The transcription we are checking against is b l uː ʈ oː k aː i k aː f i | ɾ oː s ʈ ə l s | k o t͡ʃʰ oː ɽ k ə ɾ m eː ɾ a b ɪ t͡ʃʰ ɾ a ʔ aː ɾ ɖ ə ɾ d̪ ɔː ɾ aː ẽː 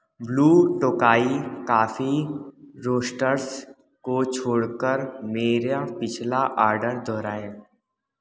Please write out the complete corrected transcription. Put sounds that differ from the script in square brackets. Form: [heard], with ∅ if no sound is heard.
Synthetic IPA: b l uː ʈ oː k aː i k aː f i | ɾ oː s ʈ ə [ɾ] s | k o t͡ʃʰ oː ɽ k ə ɾ m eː ɾ a [p] ɪ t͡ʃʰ [l] a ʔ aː ɾ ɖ ə ɾ d̪ ɔː ɾ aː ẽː